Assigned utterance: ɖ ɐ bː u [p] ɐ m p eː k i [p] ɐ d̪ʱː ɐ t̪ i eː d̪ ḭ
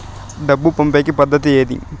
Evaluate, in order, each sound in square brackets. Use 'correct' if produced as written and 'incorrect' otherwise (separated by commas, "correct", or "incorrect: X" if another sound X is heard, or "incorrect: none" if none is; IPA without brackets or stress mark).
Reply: correct, correct